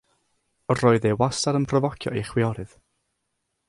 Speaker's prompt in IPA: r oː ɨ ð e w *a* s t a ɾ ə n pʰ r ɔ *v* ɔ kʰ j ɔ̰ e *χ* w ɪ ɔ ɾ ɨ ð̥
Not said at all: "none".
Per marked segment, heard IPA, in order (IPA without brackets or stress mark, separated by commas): a, v, χ